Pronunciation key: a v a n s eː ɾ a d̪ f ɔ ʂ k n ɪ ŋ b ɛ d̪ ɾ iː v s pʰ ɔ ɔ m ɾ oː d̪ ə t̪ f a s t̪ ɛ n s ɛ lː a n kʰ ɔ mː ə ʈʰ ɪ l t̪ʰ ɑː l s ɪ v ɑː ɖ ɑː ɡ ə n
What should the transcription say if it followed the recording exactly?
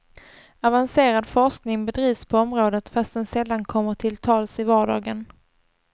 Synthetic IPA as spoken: a v a n s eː ɾ a d̪ f ɔ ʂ k n ɪ ŋ b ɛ d̪ ɾ iː v s pʰ ɔ ɔ m ɾ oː d̪ ə t̪ f a s t̪ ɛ n s ɛ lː a n kʰ ɔ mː ə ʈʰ ɪ l t̪ʰ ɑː l s ɪ v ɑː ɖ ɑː ɡ ə n